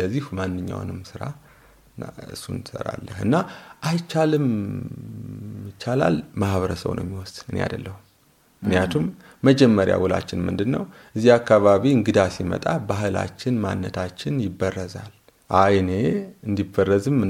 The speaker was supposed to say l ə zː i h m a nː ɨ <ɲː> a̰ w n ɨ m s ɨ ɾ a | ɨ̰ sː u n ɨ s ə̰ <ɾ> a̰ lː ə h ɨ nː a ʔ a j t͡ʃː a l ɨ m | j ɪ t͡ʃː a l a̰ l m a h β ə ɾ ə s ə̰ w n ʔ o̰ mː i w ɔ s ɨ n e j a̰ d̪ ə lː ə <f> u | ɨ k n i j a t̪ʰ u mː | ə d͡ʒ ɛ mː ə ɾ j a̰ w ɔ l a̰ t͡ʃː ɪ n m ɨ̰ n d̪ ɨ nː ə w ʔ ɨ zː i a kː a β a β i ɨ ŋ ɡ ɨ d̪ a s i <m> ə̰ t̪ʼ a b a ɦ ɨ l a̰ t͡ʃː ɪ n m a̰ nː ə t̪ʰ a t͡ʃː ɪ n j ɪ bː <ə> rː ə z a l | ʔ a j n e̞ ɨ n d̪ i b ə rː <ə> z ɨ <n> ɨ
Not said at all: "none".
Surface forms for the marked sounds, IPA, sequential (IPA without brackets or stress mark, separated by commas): ɲː, ɾ, h, m, ə, ə, m